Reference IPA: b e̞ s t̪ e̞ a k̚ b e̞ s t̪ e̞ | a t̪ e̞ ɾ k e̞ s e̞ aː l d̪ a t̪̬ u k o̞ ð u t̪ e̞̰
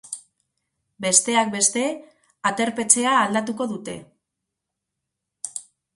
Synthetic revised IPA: b e̞ s t̪ e̞ a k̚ b e̞ s t̪ e̞ | a t̪ e̞ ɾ p e̞ t͡s e̞ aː l d̪ a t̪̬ u k o̞ ð u t̪ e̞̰

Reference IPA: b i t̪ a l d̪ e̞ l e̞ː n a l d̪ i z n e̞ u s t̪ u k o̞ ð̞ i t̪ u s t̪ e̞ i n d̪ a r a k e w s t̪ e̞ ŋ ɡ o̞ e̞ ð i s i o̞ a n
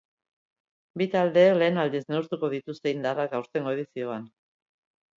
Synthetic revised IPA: b i t̪ a l d̪ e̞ l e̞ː n a l d̪ i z n e̞ u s t̪ u k o̞ ð̞ i t̪ u s t̪ e̞ i n d̪ a r a k a w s t̪ e̞ ŋ ɡ o̞ e̞ ð i s i o̞ a n

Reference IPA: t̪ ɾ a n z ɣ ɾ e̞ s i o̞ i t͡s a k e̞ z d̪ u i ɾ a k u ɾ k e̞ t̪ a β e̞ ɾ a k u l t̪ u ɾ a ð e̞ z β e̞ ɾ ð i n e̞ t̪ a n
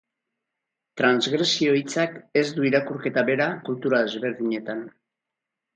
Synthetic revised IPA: t̪ ɾ a n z ɣ ɾ e̞ s i o̞ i t͡s a k e̞ z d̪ u i ɾ a k u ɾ k e̞ t̪ a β e̞ ɾ a k u l t̪ u ɾ a ð e̞ z β e̞ ɾ ð i ɲ e̞ t̪ a n

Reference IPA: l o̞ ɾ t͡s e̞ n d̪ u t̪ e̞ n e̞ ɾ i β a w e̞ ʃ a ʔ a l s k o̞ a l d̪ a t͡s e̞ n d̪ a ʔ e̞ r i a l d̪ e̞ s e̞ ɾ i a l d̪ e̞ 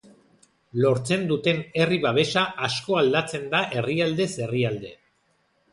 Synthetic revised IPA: l o̞ ɾ t͡s e̞ n d̪ u t̪ e̞ n e̞ r i β a β e̞ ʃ a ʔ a s k o̞ a l d̪ a t͡s e̞ n d̪ a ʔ e̞ r i a l d̪ e̞ s e̞ r i a l d̪ e̞

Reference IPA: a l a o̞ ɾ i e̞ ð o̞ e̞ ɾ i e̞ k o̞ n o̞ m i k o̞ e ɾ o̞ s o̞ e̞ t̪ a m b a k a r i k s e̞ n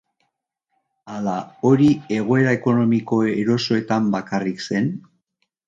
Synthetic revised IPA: a l a o̞ ɾ i e̞ ɣ o̞ e̞ ɾ a e̞ k o̞ n o̞ m i k o̞ e ɾ o̞ s o̞ e̞ t̪ a m b a k a r i k s e̞ n

